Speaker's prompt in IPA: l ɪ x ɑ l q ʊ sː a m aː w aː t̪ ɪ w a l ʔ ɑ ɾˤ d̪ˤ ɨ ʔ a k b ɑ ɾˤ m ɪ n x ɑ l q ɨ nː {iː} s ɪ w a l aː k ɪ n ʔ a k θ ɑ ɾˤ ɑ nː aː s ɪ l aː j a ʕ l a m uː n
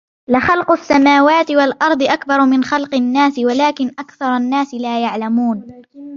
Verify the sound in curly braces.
incorrect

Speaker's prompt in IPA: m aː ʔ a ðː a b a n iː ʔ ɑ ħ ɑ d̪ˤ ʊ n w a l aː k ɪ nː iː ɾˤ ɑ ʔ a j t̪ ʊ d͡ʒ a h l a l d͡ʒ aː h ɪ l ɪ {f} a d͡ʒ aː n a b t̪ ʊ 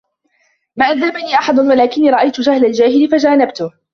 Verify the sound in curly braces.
correct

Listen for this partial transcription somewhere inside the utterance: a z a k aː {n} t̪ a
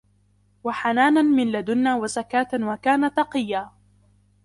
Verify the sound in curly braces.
incorrect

